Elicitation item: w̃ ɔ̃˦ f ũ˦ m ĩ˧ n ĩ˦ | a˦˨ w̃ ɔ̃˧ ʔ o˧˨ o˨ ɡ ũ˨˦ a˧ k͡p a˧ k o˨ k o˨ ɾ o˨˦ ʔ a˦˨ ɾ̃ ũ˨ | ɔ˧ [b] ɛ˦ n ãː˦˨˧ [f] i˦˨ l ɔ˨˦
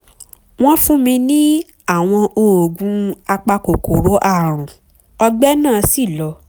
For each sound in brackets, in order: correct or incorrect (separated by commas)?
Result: incorrect, incorrect